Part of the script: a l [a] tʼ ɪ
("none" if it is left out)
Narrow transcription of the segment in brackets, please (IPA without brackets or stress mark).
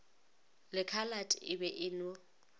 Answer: a